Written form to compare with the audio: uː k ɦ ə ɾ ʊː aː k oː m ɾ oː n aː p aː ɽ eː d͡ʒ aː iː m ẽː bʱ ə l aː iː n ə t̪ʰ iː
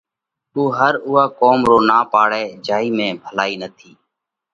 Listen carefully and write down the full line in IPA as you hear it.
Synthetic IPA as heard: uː ɦ ə ɾ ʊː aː k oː m ɾ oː n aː p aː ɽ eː d͡ʒ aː iː m ẽː bʱ ə l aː iː n ə t̪ʰ iː